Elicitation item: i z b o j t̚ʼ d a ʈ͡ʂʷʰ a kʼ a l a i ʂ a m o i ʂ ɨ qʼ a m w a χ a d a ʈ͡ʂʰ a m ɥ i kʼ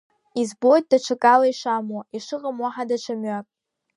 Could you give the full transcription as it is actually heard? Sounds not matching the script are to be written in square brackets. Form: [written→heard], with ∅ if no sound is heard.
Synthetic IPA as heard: i z b o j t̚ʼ d a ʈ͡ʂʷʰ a kʼ a l a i ʂ a m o i ʂ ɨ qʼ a m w a [χ→ħ] a d a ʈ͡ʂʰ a m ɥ [i→a] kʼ